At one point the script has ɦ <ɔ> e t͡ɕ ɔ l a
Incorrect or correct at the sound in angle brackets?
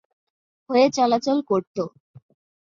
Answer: incorrect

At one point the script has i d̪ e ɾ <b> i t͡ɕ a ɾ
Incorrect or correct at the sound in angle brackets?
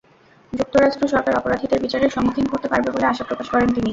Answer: correct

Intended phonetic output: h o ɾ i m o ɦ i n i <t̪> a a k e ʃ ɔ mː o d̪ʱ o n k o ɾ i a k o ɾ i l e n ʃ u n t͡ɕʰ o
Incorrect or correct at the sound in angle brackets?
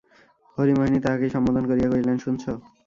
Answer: correct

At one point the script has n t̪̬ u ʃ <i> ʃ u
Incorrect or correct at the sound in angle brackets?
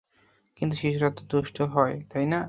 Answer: correct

